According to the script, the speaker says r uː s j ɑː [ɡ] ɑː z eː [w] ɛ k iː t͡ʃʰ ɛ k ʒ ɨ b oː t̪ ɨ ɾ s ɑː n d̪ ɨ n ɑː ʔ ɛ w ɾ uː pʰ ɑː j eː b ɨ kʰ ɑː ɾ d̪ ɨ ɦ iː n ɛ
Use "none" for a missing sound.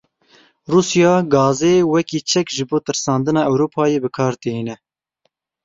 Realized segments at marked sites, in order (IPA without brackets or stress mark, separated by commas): ɡ, w